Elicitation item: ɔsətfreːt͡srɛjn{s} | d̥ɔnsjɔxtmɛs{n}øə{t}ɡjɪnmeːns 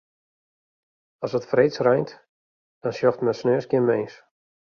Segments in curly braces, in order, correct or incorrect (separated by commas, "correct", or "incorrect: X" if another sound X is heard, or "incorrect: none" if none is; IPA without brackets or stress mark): incorrect: t, correct, incorrect: s